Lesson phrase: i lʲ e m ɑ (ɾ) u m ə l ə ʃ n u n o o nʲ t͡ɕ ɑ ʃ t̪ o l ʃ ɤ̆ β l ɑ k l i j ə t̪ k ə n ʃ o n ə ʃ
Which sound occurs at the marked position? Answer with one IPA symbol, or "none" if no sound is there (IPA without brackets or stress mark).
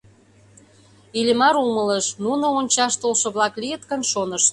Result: ɾ